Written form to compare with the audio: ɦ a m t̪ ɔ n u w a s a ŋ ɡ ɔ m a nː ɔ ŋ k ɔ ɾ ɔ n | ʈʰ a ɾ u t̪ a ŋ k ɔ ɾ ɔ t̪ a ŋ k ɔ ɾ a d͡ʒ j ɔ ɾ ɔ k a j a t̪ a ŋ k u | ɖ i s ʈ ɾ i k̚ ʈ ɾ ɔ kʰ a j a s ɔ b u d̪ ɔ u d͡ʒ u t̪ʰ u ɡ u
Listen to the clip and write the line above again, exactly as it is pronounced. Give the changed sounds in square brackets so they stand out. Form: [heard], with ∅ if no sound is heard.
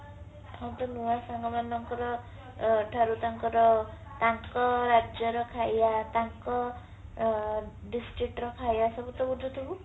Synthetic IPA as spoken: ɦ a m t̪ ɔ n u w a s a ŋ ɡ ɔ m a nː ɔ ŋ k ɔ ɾ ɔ [∅] | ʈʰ a ɾ u t̪ a ŋ k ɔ ɾ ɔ t̪ a ŋ k ɔ ɾ a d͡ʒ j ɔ ɾ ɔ [kʰ] a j a t̪ a ŋ k [ɔ] | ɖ i s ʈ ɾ i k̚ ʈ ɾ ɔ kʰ a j a s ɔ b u [t̪] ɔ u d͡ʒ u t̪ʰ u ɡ u

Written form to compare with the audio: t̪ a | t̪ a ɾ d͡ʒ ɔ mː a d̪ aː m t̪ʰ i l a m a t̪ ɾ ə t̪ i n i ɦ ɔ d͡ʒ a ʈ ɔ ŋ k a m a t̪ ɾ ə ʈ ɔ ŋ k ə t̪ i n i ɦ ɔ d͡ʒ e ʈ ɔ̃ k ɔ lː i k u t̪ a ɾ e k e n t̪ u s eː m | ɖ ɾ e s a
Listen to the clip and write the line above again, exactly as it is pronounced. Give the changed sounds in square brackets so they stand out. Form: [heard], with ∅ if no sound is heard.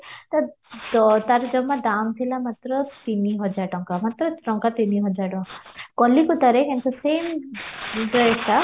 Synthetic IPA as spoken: t̪ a | t̪ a ɾ d͡ʒ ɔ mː a d̪ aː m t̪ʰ i l a m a t̪ ɾ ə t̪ i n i ɦ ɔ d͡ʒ a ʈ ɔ ŋ k a m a t̪ ɾ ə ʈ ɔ ŋ k [a] t̪ i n i ɦ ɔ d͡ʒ [a] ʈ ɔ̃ k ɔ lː i k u t̪ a ɾ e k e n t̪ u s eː m | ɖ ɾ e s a

